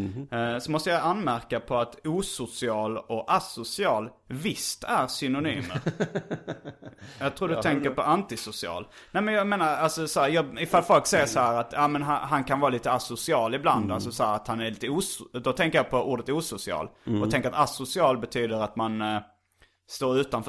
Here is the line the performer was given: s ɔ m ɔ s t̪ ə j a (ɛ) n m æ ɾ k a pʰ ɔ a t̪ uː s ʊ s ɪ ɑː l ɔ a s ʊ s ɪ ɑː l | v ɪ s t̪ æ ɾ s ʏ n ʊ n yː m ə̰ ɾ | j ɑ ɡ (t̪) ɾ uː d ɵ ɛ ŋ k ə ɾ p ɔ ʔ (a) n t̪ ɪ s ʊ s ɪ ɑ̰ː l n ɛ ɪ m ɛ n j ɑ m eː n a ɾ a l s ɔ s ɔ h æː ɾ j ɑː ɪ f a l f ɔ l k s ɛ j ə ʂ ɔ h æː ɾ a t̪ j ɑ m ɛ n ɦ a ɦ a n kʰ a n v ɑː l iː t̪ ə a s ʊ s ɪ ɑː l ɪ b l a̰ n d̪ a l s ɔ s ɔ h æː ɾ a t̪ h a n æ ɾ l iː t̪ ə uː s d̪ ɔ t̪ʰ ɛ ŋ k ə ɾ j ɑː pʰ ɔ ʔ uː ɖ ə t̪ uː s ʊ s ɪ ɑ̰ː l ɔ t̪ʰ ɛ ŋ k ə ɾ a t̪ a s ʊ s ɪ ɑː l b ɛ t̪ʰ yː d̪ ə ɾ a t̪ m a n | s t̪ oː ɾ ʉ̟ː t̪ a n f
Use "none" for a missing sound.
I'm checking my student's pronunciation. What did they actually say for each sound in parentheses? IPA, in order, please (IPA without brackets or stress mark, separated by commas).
a, t̪ʰ, a